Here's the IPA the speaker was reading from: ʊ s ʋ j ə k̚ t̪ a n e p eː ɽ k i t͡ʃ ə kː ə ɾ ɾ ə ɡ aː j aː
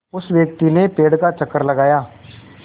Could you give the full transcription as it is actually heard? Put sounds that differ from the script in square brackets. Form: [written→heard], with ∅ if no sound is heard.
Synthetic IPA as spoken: ʊ s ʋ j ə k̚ t̪ [a→i] n e p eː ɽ k [i→a] t͡ʃ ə kː ə ɾ [ɾ→l] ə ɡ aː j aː